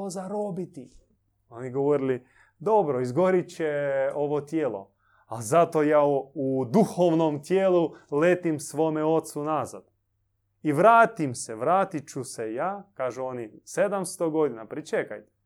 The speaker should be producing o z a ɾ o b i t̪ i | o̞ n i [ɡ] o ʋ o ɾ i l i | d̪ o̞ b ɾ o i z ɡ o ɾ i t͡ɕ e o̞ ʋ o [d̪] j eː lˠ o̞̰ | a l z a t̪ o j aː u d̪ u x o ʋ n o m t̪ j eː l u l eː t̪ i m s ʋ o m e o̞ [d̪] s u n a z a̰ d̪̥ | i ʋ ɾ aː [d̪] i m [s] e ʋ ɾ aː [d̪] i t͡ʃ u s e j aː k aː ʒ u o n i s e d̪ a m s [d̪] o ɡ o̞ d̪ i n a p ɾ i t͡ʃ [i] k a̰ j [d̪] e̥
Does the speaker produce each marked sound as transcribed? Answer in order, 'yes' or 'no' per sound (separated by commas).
yes, no, no, no, yes, no, no, no, no